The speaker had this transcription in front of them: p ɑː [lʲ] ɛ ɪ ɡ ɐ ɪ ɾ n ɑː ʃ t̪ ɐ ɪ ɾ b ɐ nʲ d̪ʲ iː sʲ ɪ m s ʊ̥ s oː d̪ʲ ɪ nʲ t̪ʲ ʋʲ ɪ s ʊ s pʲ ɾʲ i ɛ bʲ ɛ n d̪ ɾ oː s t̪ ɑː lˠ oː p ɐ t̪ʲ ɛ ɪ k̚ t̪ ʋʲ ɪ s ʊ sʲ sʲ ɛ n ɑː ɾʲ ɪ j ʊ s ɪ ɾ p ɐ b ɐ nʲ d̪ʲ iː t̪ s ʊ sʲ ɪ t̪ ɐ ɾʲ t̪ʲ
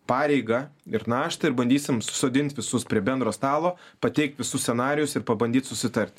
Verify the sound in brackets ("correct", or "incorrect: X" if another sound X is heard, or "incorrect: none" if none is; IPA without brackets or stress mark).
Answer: incorrect: ɾʲ